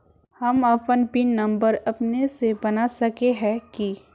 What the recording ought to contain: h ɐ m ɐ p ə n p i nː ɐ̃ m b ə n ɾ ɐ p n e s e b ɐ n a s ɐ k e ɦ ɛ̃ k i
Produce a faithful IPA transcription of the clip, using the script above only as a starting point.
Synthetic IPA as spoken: h ɐ m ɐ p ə n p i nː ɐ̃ m b ə ɾ ɐ p n e s e b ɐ n a s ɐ k e ɦ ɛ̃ k i